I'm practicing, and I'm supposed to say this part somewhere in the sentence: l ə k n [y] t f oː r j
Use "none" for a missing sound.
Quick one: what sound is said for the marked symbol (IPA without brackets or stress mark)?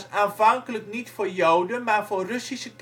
i